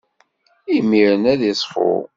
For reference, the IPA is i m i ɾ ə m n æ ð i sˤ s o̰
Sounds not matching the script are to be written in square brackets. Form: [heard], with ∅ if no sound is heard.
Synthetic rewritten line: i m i ɾ ə [∅] n æ ð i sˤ [f] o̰